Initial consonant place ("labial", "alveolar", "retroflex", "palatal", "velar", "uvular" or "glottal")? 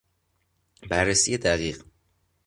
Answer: labial